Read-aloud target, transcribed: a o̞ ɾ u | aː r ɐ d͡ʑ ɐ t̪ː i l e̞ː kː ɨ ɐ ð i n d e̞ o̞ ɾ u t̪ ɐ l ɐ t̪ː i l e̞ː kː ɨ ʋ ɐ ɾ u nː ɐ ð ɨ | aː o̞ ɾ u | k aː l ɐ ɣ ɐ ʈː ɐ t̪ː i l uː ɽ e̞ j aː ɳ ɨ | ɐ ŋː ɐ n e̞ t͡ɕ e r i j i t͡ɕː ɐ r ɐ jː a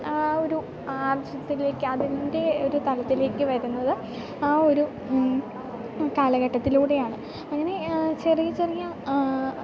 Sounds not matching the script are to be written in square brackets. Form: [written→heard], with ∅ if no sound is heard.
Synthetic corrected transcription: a o̞ ɾ u | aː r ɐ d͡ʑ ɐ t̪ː i l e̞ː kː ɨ ɐ ð i n d e̞ o̞ ɾ u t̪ ɐ l ɐ t̪ː i l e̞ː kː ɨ ʋ ɐ ɾ u nː ɐ ð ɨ | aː o̞ ɾ u | k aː l ɐ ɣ ɐ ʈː ɐ t̪ː i l uː ɽ e̞ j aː ɳ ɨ | ɐ ŋː ɐ n e̞ t͡ɕ e r i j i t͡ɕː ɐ r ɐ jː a